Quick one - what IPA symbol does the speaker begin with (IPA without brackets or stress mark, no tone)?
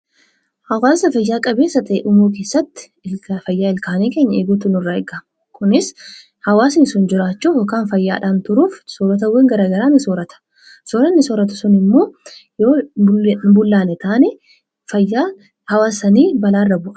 h